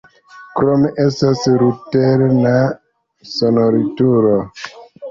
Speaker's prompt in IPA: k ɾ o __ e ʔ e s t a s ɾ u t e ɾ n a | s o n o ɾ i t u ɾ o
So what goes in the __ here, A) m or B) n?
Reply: A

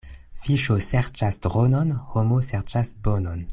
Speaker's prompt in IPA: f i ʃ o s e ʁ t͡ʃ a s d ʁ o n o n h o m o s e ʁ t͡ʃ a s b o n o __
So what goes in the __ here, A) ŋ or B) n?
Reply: B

